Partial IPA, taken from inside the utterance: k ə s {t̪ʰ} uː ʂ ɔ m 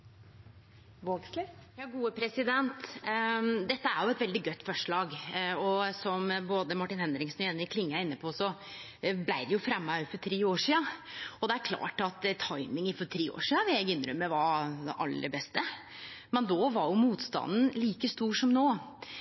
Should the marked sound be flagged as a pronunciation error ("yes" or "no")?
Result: yes